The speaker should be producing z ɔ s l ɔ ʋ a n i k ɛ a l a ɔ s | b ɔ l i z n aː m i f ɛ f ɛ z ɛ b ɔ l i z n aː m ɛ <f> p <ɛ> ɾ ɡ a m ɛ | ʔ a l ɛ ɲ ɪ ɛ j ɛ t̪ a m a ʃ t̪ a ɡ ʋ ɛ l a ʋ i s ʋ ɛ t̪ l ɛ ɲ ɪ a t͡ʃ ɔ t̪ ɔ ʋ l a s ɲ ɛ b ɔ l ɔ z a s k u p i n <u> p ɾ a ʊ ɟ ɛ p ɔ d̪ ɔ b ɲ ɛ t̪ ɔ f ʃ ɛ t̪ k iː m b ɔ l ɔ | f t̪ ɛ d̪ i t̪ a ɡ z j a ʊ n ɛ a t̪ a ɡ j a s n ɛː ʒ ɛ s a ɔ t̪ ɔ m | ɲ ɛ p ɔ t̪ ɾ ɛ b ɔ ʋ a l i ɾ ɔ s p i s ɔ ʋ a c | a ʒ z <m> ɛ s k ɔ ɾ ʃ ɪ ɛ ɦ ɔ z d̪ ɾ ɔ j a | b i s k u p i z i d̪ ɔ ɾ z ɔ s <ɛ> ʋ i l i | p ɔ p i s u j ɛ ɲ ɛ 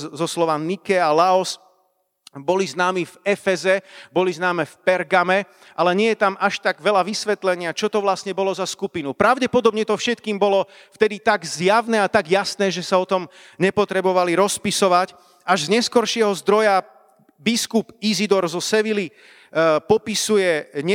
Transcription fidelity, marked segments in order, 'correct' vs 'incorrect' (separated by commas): correct, correct, correct, incorrect, correct